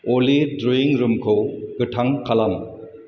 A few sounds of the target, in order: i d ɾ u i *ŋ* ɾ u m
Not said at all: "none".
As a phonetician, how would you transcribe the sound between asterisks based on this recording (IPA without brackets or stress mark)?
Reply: ŋ